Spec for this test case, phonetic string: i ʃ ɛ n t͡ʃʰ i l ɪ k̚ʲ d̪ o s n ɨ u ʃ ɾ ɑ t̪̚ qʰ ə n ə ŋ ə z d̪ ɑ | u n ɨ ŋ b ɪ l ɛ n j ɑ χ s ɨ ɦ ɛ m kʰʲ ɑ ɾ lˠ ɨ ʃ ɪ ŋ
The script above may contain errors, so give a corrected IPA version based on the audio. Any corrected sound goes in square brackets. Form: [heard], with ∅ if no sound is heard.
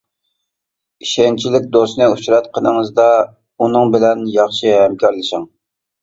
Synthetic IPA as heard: i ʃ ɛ n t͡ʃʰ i l ɪ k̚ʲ d̪ o s n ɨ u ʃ ɾ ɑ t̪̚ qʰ ə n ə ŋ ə z d̪ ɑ | u n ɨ ŋ b ɪ l ɛ n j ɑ χ [ʃ] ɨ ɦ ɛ m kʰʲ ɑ ɾ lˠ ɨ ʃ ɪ ŋ